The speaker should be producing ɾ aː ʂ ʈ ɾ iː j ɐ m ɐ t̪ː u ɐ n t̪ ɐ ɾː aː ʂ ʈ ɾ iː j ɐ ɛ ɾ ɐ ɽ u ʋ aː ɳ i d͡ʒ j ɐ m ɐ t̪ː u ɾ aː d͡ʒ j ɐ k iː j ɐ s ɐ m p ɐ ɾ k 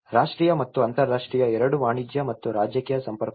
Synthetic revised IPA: ɾ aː ʂ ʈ ɾ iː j ɐ m ɐ t̪ː u ɐ n t̪ ɐ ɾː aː ʂ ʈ ɾ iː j ɐ ɛ ɾ ɐ ɽ u ʋ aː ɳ i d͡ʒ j ɐ m ɐ t̪ː u ɾ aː d͡ʒ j ɐ k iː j ɐ s ɐ m p ɐ ɾ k